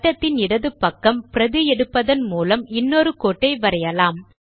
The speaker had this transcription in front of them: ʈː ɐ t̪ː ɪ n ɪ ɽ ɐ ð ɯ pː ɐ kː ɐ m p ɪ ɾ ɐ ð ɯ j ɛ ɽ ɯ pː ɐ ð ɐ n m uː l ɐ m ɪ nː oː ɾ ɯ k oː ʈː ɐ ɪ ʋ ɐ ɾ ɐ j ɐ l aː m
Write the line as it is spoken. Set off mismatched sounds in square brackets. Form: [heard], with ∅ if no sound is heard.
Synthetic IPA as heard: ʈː ɐ t̪ː ɪ n ɪ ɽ ɐ ð ɯ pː ɐ kː ɐ m p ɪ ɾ ɐ ð ɯ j ɛ ɽ ɯ pː ɐ ð ɐ n m uː l ɐ m ɪ nː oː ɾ ɯ k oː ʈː ɐ ɪ ʋ ɐ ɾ ɐ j ɐ l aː m

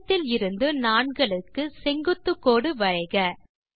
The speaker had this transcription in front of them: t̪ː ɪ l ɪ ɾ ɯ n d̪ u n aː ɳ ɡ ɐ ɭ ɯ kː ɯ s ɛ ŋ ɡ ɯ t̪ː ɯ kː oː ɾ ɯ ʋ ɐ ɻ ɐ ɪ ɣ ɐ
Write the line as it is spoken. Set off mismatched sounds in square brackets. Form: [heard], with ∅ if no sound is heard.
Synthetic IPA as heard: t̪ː ɪ l ɪ ɾ ɯ n d̪ [ɯ] n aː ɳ ɡ ɐ ɭ ɯ kː ɯ s ɛ ŋ ɡ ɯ t̪ː ɯ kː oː [ɽ] ɯ ʋ ɐ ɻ ɐ ɪ ɣ ɐ

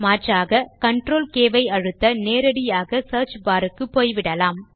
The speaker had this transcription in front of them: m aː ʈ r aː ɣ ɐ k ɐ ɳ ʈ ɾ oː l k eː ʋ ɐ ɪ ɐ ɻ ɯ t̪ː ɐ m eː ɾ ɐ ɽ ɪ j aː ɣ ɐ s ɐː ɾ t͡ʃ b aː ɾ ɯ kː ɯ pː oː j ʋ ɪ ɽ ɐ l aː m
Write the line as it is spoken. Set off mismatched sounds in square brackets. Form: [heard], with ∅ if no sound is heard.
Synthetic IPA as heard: m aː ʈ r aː ɣ ɐ k ɐ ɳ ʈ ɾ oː l k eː ʋ ɐ ɪ ɐ ɻ ɯ t̪ː ɐ [n] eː ɾ ɐ ɽ ɪ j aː ɣ ɐ s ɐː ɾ t͡ʃ b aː ɾ ɯ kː ɯ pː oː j ʋ ɪ ɽ ɐ l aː m

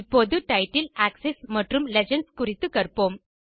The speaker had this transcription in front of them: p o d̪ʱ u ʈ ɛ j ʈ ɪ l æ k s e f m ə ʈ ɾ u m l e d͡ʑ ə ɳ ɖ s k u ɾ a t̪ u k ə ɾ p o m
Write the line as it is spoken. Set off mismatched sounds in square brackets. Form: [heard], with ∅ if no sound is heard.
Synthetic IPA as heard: p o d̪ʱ u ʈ [a] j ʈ [i] l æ k s e [s] m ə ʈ ɾ u m l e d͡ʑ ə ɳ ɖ s k u ɾ [i] t̪ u k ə ɾ p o m

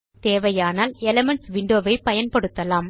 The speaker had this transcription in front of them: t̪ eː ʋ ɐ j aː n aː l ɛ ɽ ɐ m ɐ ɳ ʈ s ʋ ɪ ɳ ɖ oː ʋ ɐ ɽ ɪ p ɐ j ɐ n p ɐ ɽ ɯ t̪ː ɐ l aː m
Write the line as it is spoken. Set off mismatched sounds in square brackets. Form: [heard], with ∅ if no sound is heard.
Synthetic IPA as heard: t̪ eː ʋ ɐ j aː n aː l ɛ [l] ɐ m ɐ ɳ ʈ s ʋ ɪ ɳ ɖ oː ʋ ɐ [∅] ɪ p ɐ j ɐ n p ɐ ɽ ɯ t̪ː ɐ l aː m

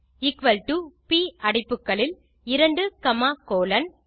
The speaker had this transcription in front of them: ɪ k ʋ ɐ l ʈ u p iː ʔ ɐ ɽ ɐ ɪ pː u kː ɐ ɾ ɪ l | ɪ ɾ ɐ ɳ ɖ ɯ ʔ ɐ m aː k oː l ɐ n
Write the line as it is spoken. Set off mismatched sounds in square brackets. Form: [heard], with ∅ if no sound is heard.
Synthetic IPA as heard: ɪ k ʋ ɐ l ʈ u p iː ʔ ɐ ɽ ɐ ɪ pː [ɯ] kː ɐ [ɭ] ɪ l | ɪ ɾ ɐ ɳ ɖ ɯ [k] ɐ m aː k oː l ɐ n

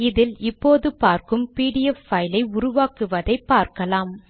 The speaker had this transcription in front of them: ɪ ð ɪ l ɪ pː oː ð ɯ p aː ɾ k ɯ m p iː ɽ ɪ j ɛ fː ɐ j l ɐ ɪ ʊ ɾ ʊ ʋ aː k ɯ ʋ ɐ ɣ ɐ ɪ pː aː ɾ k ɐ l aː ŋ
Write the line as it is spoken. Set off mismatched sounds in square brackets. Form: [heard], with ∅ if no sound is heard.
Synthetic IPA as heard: ɪ ð ɪ l ɪ pː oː ð ɯ p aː ɾ k ɯ m p iː ɽ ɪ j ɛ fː ɐ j l ɐ ɪ ʊ ɾ ʊ ʋ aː k ɯ ʋ ɐ [ð] ɐ ɪ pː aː ɾ k ɐ l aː [m]

